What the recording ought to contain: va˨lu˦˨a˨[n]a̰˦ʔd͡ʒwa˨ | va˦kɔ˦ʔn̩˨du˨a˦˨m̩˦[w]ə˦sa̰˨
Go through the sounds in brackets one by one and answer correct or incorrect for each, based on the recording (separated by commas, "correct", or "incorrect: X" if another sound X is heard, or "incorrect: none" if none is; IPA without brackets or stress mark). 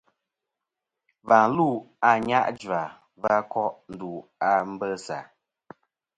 incorrect: ɲ, incorrect: b